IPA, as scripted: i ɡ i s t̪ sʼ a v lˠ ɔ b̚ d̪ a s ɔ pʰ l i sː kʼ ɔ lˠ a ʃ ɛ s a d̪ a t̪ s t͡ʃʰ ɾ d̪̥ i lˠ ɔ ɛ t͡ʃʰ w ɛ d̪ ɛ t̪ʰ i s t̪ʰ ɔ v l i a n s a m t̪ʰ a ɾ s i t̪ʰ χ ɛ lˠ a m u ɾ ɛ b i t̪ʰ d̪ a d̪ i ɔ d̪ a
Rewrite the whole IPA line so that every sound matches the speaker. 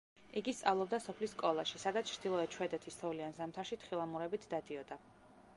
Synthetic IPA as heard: i ɡ i s t̪ sʼ a v lˠ ɔ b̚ d̪ a s ɔ pʰ l i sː kʼ ɔ lˠ a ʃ i s a d̪ a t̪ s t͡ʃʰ ɾ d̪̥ i lˠ ɔ ɛ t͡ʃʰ w ɛ d̪ ɛ t̪ʰ i s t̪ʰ ɔ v l i a n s a m t̪ʰ a ɾ ʃ i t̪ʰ χ i lˠ a m u ɾ ɛ b i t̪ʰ d̪ a d̪ i ɔ d̪ a